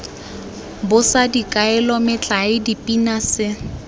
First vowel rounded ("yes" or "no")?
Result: yes